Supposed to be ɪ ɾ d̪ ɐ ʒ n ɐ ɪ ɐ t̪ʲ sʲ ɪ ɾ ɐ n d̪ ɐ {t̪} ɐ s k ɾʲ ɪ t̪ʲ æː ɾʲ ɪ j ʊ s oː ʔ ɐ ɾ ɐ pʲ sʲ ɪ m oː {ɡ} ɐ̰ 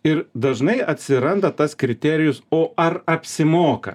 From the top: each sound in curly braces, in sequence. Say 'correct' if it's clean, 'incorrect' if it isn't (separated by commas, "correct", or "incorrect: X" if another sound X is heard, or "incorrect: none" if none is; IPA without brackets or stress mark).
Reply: correct, incorrect: k